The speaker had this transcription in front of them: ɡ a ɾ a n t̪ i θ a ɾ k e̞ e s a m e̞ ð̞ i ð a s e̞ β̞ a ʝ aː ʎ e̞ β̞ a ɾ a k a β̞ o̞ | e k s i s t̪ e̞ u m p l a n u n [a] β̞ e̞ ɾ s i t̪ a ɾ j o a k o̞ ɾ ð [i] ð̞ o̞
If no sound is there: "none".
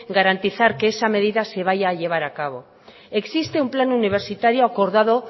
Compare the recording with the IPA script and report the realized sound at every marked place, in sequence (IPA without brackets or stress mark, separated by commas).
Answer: i, a